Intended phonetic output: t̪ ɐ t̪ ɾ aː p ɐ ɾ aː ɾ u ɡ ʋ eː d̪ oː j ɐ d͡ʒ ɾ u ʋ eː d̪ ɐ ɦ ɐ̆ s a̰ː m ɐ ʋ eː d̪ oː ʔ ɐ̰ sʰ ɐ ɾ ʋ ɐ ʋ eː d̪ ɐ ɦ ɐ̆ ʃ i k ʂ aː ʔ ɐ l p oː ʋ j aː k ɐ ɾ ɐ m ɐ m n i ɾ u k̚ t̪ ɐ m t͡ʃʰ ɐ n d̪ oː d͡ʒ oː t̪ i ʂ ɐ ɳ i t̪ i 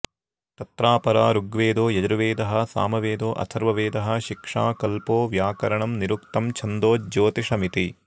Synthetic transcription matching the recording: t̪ ɐ t̪ ɾ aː p ɐ ɾ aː ɾ u ɡ ʋ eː d̪ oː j ɐ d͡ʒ ɾ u ʋ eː d̪ ɐ ɦ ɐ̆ s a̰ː m ɐ ʋ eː d̪ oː ʔ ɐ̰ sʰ ɐ ɾ ʋ ɐ ʋ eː d̪ ɐ ɦ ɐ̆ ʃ i k ʂ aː k ɐ l p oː ʋ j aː k ɐ ɾ ɐ ɳ ɐ m n i ɾ u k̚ t̪ ɐ m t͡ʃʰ ɐ n d̪ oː d͡ʒ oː t̪ i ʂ ɐ m i t̪ i

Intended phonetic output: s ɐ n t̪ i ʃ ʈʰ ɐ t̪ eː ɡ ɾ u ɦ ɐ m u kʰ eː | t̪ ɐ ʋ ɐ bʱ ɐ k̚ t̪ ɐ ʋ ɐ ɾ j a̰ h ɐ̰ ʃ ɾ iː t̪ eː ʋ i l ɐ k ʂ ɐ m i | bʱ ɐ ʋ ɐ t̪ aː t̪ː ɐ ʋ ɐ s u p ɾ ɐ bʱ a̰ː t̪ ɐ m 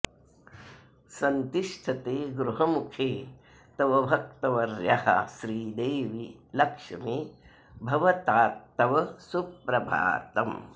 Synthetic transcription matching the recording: s ɐ n t̪ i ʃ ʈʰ ɐ t̪ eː ɡ ɾ u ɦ ɐ m u kʰ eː | t̪ ɐ ʋ ɐ bʱ ɐ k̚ t̪ ɐ ʋ ɐ ɾ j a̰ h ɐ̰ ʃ ɾ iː d̪ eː ʋ i l ɐ k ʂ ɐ m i | bʱ ɐ ʋ ɐ t̪ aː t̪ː ɐ ʋ ɐ s u p ɾ ɐ bʱ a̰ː t̪ ɐ m

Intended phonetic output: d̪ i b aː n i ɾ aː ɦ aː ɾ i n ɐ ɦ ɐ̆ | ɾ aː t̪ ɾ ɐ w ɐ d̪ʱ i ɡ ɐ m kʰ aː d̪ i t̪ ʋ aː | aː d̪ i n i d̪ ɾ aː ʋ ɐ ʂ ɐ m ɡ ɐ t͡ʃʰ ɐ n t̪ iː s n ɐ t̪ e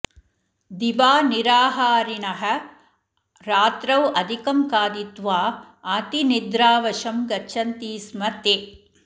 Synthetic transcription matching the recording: d̪ i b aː n i ɾ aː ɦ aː ɾ i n ɐ ɦ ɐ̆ | ɾ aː t̪ ɾ ɐ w ɐ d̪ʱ i k ɐ m k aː d̪ i t̪ ʋ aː | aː t̪ i n i d̪ ɾ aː ʋ ɐ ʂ ɐ m ɡ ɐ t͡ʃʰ ɐ n t̪ iː s m ɐ t̪ e

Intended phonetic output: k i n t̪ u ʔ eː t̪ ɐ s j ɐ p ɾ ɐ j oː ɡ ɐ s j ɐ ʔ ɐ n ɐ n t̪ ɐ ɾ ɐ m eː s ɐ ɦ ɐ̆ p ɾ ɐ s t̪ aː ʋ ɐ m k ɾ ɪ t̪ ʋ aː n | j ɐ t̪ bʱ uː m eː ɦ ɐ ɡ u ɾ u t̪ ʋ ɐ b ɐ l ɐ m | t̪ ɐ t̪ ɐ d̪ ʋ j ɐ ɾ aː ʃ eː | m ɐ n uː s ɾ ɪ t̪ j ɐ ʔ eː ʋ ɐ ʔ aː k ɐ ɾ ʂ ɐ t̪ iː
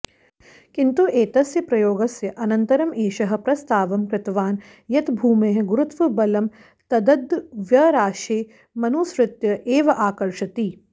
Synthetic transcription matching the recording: k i n t̪ u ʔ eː t̪ ɐ s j ɐ p ɾ ɐ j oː ɡ ɐ s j ɐ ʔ ɐ n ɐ n t̪ ɐ ɾ ɐ m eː ʃ ɐ ɦ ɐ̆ p ɾ ɐ s t̪ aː ʋ ɐ m k ɾ ɪ t̪ ʋ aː n | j ɐ t̪ bʱ uː m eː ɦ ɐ ɡ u ɾ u t̪ ʋ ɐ b ɐ l ɐ m | t̪ ɐ d̪ ɐ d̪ ʋ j ɐ ɾ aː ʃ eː | m ɐ n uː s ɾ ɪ t̪ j ɐ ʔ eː ʋ ɐ ʔ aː k ɐ ɾ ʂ ɐ t̪ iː

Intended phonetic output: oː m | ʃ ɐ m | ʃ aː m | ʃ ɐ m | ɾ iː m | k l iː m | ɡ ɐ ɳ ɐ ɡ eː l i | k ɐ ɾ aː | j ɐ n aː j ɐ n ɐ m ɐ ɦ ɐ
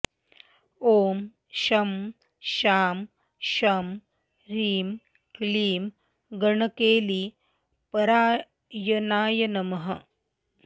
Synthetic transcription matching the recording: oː m | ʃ ɐ m | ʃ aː m | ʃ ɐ m | ɾ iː m | k l iː m | ɡ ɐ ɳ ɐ k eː l i | p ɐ ɾ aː | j ɐ n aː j ɐ n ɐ m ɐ ɦ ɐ

